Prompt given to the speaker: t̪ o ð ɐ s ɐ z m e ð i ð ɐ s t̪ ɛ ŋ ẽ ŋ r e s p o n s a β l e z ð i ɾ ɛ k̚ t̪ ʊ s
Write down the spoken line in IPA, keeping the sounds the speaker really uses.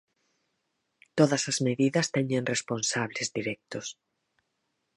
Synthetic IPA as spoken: t̪ o ð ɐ s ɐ z m e ð i ð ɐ s t̪ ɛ ɲ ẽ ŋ r e s p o n s a β l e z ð i ɾ ɛ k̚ t̪ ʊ s